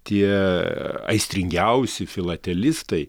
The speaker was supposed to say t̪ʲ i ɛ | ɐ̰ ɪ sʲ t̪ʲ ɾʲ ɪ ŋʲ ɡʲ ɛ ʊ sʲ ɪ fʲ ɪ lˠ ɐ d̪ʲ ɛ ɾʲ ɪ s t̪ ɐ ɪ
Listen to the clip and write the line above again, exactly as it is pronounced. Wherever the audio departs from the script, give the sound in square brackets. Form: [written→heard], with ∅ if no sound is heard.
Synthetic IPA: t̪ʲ i ɛ | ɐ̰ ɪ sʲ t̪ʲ ɾʲ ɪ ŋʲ ɡʲ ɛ ʊ sʲ ɪ fʲ ɪ lˠ ɐ [d̪ʲ→t̪ʲ] ɛ [ɾʲ→lʲ] ɪ s t̪ ɐ ɪ